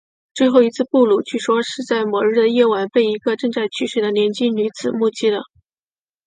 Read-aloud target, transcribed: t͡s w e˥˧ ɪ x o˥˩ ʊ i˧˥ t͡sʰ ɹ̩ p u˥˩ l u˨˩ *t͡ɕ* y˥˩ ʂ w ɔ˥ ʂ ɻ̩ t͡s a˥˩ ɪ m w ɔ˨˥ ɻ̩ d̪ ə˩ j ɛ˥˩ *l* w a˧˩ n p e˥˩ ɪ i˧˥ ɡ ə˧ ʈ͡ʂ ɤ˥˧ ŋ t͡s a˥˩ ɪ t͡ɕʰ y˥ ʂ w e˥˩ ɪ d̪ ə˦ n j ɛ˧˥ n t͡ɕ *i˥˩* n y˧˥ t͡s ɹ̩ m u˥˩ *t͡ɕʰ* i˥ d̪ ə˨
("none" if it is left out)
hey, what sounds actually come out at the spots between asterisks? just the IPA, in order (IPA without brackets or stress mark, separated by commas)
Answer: t͡ɕʰ, none, i˥, t͡ɕ